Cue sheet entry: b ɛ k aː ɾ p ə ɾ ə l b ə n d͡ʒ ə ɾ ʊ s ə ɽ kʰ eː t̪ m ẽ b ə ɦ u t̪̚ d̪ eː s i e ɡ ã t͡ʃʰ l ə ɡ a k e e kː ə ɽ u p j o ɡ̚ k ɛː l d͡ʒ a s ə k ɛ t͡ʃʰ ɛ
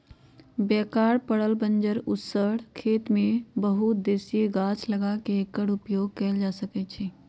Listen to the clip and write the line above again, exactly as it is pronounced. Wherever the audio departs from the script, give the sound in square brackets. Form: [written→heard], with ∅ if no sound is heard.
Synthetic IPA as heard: b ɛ k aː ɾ p ə [ɾ→ɽ] ə l b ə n d͡ʒ ə ɾ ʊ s ə ɽ kʰ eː t̪ m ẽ b ə ɦ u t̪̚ d̪ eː s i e ɡ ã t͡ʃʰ l ə ɡ a k e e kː ə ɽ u p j o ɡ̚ k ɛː l d͡ʒ a s ə k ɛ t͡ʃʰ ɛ